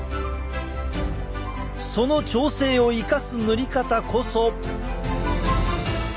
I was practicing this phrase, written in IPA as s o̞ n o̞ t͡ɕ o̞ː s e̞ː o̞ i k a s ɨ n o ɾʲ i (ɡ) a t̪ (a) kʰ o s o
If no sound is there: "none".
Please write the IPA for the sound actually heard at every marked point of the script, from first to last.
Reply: k, a

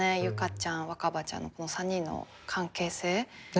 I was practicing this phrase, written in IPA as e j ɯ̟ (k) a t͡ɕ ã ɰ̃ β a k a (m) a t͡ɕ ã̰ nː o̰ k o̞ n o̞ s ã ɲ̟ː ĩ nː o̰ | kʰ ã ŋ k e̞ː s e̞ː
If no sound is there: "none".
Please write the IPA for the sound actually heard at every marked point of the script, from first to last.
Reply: k, b

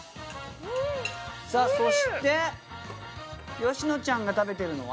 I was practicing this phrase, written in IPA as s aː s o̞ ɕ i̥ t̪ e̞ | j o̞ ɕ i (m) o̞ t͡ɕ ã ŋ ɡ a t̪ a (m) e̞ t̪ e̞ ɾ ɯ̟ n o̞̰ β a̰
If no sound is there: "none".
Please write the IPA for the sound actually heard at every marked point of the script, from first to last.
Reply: n, b

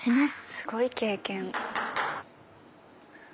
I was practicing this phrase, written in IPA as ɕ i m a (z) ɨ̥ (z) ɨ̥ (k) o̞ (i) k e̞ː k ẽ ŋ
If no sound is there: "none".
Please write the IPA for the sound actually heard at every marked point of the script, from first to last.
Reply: s, s, ɡ, i

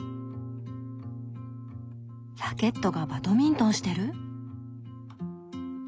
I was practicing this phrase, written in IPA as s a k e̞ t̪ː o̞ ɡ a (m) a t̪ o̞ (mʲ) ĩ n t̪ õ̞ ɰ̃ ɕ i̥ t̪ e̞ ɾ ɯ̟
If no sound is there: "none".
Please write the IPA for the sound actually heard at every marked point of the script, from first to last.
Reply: b, mʲ

